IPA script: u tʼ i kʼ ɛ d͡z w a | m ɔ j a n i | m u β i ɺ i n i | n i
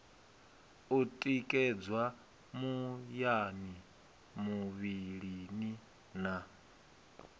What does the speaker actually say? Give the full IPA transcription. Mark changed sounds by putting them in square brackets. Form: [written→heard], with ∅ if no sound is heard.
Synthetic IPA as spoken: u tʼ i kʼ ɛ d͡z w a | m [ɔ→u] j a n i | m u β i ɺ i n i | n [i→a]